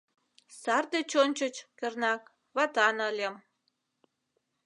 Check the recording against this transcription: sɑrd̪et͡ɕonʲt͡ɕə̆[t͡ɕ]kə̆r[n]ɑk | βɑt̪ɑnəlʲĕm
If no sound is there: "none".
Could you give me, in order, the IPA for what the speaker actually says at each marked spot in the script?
t͡ɕ, n

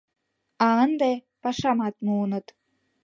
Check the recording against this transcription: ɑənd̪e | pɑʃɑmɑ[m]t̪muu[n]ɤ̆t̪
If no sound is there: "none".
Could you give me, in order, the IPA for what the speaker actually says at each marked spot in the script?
none, n

